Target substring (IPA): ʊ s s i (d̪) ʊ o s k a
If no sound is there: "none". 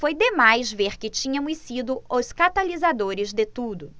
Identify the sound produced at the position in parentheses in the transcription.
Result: d̪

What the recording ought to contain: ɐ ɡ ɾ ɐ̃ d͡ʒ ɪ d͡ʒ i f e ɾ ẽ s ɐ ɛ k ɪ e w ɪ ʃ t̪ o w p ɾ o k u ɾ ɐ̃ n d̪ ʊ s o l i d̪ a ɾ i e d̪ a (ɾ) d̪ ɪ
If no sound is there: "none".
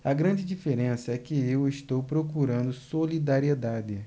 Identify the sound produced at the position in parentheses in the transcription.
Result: none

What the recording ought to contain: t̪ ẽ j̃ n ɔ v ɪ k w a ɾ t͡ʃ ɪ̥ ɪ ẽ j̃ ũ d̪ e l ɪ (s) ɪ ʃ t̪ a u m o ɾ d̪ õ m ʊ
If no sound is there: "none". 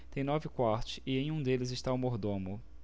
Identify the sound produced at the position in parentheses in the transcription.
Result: z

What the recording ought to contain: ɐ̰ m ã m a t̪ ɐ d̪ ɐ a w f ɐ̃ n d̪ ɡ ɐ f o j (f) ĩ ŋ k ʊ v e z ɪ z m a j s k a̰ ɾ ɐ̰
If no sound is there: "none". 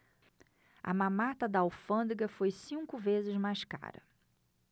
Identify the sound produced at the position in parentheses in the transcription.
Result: s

